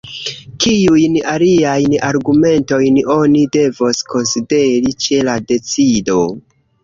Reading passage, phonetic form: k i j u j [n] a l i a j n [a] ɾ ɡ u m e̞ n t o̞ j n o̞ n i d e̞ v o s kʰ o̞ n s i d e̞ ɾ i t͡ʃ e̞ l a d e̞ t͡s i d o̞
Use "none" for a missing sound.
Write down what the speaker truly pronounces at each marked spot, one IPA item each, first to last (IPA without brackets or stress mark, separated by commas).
n, a